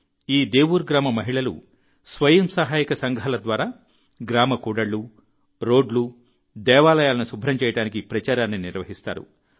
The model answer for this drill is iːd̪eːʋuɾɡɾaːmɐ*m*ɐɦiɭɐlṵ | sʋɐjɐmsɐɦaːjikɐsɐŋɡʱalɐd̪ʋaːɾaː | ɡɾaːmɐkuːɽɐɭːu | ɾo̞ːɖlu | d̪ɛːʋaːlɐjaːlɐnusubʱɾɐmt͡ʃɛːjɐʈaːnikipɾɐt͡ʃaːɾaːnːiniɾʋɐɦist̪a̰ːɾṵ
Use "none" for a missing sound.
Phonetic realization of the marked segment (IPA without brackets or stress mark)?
m